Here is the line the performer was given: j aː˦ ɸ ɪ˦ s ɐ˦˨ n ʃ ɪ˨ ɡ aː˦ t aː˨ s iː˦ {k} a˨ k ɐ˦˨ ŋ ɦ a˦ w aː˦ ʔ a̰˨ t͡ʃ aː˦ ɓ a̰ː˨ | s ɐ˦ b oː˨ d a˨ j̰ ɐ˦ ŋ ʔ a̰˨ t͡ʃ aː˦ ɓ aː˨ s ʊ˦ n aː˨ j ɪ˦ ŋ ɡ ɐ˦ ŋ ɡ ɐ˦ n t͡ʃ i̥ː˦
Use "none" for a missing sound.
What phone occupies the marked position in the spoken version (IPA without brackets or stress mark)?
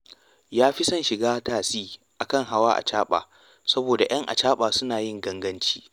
ʔ